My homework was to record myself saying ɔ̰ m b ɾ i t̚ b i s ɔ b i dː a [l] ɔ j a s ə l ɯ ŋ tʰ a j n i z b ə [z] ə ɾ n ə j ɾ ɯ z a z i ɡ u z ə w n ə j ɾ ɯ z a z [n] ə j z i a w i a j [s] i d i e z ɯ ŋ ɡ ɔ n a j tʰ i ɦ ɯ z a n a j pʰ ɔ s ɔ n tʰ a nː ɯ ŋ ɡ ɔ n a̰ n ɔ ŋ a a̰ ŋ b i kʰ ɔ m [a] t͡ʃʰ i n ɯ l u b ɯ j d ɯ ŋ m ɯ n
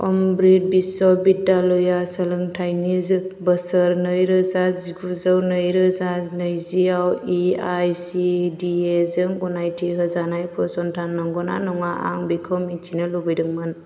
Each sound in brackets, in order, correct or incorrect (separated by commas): correct, incorrect, correct, correct, incorrect